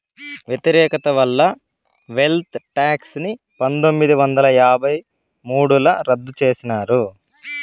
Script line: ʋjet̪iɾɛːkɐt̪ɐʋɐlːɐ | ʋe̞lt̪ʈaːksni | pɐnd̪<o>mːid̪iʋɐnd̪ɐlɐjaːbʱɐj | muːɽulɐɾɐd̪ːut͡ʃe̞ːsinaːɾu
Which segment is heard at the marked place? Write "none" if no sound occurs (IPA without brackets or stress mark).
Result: o